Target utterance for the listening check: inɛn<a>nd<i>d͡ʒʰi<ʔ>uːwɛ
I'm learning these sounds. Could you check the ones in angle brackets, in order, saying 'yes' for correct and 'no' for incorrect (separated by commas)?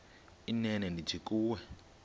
no, yes, no